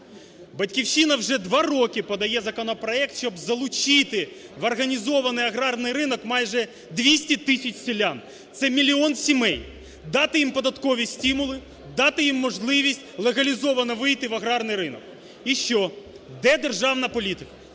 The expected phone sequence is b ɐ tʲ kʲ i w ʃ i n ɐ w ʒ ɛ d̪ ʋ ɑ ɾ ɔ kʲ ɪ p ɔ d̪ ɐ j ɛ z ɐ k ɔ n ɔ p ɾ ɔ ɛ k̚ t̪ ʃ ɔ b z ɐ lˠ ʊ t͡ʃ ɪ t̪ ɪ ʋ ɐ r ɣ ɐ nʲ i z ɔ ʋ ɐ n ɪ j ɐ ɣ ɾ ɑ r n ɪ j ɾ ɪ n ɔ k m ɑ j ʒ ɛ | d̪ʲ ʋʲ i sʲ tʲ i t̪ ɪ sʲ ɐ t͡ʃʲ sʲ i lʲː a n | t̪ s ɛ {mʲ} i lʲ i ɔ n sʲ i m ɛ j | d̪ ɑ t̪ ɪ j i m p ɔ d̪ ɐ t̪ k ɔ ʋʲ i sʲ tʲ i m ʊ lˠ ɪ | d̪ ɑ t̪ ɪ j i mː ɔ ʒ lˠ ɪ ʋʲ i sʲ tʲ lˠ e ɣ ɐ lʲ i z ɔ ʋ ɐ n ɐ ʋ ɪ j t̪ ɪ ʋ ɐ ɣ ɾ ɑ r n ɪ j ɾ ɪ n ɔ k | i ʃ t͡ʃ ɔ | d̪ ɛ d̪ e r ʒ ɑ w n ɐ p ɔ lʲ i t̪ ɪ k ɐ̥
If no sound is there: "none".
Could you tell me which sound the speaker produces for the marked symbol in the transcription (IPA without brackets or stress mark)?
mʲ